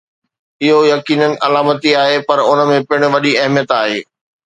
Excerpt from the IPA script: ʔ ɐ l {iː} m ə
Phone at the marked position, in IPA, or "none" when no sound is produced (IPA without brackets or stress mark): aː